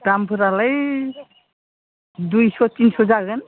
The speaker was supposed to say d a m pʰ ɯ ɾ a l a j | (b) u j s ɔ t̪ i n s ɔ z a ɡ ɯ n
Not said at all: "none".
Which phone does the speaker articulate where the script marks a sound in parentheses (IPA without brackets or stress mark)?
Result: d